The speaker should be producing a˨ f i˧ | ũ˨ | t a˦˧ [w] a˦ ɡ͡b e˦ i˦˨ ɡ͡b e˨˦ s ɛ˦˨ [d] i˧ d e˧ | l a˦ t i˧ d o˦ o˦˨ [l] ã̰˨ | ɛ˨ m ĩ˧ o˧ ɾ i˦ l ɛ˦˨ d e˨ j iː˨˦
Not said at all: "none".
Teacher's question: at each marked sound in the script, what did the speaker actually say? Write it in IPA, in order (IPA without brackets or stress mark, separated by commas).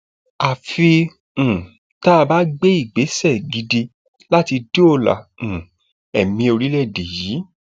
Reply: b, ɡ, l